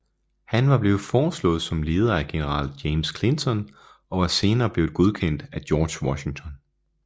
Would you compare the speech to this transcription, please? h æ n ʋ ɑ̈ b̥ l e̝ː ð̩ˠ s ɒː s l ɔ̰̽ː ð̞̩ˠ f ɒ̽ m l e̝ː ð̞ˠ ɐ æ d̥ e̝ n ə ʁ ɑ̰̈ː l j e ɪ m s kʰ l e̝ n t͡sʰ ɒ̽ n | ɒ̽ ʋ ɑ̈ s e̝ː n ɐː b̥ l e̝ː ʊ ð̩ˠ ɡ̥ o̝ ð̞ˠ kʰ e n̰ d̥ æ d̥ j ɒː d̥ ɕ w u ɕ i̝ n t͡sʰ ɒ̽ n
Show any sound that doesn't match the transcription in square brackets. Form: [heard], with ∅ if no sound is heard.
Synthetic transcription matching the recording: h æ n ʋ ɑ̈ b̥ l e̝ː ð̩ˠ [f] ɒː s l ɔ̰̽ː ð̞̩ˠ [s] ɒ̽ m l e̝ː ð̞ˠ ɐ æ [ɡ̥] e̝ n ə ʁ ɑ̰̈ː l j e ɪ m s kʰ l e̝ n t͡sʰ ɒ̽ n | ɒ̽ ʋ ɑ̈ s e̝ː n ɐː b̥ l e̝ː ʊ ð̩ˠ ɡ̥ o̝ ð̞ˠ kʰ e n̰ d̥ æ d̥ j ɒː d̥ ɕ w [ɒ] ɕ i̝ [ŋ] t͡sʰ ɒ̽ n

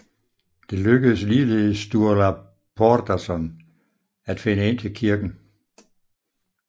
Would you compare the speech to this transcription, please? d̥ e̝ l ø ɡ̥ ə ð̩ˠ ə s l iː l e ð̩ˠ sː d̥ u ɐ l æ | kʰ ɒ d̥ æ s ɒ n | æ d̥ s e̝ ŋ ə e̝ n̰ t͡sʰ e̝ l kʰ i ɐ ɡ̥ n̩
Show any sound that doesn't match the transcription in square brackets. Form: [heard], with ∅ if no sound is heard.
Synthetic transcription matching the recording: d̥ e̝ l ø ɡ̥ ə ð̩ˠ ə s l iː l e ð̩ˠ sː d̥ u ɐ l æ | [pʰ] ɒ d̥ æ s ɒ n | æ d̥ [f] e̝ [n] ə e̝ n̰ t͡sʰ e̝ l kʰ i ɐ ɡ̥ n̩

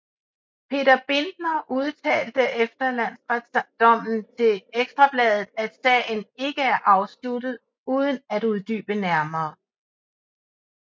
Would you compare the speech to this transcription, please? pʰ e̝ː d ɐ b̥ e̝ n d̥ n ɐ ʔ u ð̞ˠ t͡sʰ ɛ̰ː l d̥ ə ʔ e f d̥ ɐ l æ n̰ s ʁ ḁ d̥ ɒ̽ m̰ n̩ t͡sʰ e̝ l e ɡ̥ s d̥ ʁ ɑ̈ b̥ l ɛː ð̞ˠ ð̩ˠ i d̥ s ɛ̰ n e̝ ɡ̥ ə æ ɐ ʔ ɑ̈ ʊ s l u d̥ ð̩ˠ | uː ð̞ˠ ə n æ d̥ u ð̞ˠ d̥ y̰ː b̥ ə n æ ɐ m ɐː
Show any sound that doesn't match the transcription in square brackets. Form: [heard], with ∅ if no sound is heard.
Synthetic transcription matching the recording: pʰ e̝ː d ɐ b̥ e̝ n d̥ n ɐ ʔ u ð̞ˠ t͡sʰ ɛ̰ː l d̥ ə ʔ e f d̥ ɐ l æ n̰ s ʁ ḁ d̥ ɒ̽ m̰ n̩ t͡sʰ e̝ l e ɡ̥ s d̥ ʁ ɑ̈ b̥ l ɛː ð̞ˠ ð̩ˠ [æ] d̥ s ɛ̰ n e̝ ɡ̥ ə æ ɐ ʔ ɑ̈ ʊ s l u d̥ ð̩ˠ | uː ð̞ˠ ə n æ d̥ u ð̞ˠ d̥ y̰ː b̥ ə n æ ɐ m ɐː

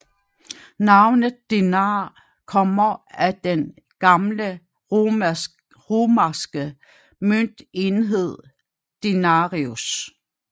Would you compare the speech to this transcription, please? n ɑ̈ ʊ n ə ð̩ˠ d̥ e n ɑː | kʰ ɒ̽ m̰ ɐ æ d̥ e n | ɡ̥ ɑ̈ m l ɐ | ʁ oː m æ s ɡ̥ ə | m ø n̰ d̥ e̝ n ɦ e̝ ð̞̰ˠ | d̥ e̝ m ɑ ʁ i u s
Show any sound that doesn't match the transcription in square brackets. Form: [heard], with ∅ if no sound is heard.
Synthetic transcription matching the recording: n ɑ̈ ʊ n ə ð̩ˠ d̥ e n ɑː | kʰ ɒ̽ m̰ ɐ æ d̥ e n | ɡ̥ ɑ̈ m l [ə] | ʁ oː m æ s ɡ̥ ə | m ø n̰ d̥ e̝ n ɦ e̝ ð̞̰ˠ | d̥ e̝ [n] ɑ ʁ i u s

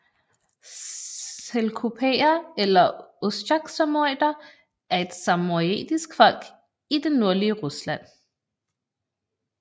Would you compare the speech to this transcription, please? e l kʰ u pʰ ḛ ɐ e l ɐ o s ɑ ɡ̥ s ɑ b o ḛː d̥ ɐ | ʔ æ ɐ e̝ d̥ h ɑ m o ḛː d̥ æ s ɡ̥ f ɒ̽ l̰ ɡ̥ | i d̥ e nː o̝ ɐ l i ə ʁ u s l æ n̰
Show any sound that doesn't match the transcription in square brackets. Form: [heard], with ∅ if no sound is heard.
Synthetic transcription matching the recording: e l kʰ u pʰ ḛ ɐ e l ɐ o s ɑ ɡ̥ s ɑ [m] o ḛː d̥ ɐ | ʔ æ ɐ e̝ d̥ [s] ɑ m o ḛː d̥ [i] s ɡ̥ f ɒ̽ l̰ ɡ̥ | i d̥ e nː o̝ ɐ l i ə ʁ u s l æ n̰

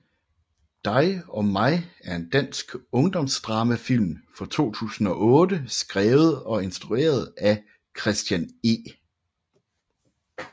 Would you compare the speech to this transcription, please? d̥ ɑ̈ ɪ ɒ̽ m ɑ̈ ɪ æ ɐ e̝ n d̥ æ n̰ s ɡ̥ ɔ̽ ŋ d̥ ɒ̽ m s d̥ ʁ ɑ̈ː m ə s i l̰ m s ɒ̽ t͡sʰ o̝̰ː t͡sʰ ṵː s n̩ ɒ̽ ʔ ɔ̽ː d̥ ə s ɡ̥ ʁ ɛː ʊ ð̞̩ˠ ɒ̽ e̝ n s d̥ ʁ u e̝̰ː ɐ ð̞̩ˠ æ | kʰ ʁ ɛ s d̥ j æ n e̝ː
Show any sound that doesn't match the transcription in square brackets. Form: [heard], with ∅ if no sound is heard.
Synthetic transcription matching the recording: d̥ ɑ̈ ɪ ɒ̽ m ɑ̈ ɪ æ ɐ e̝ n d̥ æ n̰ s ɡ̥ ɔ̽ ŋ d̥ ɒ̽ m s d̥ ʁ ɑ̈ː m ə [f] i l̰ m [f] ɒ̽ t͡sʰ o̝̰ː t͡sʰ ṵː s n̩ ɒ̽ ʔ ɔ̽ː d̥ ə s ɡ̥ ʁ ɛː ʊ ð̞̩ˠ ɒ̽ e̝ n s d̥ ʁ u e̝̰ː ɐ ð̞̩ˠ æ | kʰ ʁ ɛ s d̥ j æ n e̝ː

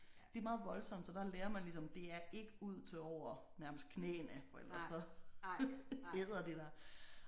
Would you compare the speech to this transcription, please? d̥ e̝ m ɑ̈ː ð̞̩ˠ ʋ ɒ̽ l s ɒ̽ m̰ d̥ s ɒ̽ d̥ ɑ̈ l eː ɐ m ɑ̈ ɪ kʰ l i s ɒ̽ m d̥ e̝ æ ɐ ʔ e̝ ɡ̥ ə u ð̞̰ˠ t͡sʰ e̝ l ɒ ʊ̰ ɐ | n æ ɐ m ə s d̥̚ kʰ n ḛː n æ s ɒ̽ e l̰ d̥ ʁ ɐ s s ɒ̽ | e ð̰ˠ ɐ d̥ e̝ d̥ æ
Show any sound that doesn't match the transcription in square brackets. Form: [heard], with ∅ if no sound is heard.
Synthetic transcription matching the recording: d̥ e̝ m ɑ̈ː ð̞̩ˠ ʋ ɒ̽ l s ɒ̽ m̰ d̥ s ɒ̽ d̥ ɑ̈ l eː ɐ m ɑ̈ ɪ [∅] l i s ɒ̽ m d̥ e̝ æ ɐ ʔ e̝ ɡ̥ ə u ð̞̰ˠ t͡sʰ e̝ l ɒ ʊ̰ ɐ | n æ ɐ m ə s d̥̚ kʰ n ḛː n æ [f] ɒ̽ e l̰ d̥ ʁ ɐ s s ɒ̽ | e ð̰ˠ ɐ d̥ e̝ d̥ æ

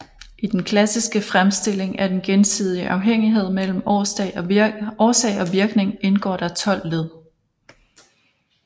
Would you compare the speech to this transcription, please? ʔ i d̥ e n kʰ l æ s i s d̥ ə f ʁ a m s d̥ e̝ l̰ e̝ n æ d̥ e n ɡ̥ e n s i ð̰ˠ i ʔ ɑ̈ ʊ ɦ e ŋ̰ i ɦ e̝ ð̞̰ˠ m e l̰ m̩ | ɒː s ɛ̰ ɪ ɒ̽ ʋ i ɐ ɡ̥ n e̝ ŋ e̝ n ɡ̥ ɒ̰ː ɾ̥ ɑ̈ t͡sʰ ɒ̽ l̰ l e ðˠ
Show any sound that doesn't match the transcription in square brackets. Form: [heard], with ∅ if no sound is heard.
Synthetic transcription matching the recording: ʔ i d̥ e n kʰ l æ s i s [ɡ̥] ə f ʁ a m s d̥ e̝ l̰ e̝ [ŋ] æ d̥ e n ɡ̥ e n s i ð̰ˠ i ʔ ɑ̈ ʊ ɦ e ŋ̰ i ɦ e̝ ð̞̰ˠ m e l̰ m̩ | ɒː s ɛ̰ ɪ ɒ̽ ʋ i ɐ ɡ̥ n e̝ ŋ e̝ n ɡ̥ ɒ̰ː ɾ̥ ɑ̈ t͡sʰ ɒ̽ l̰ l e ðˠ

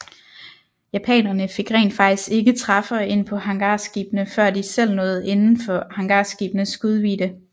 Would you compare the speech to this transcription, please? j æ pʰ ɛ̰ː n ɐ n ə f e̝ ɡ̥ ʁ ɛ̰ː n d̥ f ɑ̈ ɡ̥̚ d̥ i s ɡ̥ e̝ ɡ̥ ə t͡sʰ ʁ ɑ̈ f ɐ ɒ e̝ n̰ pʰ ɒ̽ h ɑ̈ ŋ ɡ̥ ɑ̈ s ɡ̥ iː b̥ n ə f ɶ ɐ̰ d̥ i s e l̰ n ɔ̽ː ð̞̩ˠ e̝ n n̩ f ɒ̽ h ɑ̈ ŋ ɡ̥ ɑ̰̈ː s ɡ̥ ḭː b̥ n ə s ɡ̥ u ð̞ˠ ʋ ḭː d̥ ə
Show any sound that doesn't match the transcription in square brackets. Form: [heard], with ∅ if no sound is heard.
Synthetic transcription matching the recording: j æ pʰ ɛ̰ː n ɐ n ə f e̝ ɡ̥ ʁ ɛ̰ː n d̥ f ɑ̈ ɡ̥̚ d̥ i s ɡ̥ e̝ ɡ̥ ə t͡sʰ ʁ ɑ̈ f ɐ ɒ e̝ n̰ pʰ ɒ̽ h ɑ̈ ŋ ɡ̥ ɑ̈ s ɡ̥ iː b̥ n ə f ɶ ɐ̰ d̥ i s e l̰ n ɔ̽ː ð̞̩ˠ e̝ n n̩ f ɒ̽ h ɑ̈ ŋ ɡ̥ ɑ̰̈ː s ɡ̥ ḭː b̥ n ə s ɡ̥ u ð̞ˠ ʋ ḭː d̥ ə

